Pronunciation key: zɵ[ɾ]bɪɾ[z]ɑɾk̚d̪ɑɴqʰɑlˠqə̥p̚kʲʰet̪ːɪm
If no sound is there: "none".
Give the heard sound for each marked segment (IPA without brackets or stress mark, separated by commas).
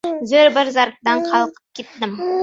ɾ, z